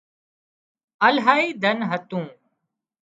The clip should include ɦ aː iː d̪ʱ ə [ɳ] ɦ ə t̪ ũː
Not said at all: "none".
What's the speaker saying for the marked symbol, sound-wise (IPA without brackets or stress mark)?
n